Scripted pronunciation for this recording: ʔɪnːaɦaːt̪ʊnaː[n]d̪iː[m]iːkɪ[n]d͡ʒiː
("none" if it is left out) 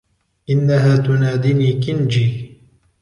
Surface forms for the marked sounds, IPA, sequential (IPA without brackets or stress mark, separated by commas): none, n, n